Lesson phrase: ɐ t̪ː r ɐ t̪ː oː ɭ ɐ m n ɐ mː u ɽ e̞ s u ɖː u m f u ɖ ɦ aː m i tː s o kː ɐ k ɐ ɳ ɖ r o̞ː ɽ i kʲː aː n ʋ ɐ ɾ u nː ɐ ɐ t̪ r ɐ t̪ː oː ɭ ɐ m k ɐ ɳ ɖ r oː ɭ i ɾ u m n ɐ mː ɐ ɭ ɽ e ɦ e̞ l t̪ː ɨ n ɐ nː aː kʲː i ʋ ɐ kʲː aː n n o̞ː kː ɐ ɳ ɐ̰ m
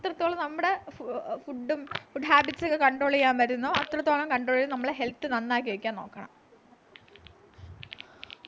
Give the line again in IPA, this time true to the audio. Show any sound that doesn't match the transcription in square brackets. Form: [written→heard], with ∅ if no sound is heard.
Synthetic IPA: ɐ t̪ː r ɐ t̪ː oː ɭ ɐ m n ɐ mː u ɽ e̞ [s→f] u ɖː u m f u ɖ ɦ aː [m→b] i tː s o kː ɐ k ɐ ɳ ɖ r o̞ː [ɽ→ɭ] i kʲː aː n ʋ ɐ ɾ u nː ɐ ɐ t̪ r ɐ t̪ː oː ɭ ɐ m k ɐ ɳ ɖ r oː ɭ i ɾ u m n ɐ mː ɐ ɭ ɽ e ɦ e̞ l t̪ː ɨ n ɐ nː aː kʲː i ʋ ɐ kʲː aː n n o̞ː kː ɐ ɳ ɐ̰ m